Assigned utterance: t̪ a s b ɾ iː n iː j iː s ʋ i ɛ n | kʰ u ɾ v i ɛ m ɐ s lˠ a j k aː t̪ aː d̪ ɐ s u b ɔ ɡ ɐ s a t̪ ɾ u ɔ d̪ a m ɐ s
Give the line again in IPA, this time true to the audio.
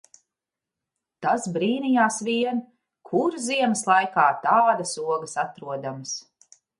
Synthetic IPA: t̪ a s b ɾ iː n i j aː s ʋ i ɛ n | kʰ u ɾ z i ɛ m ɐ s lˠ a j k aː t̪ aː d̪ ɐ s u ɔ ɡ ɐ s a t̪ ɾ u ɔ d̪ a m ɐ s